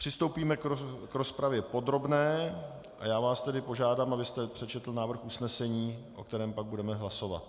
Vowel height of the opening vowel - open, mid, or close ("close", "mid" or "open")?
close